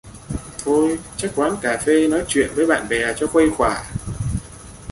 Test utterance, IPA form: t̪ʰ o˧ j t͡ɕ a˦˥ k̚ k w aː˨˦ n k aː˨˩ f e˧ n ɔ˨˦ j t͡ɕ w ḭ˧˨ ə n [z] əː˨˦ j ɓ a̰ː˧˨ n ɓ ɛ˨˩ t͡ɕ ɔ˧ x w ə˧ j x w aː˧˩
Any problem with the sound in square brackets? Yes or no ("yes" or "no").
yes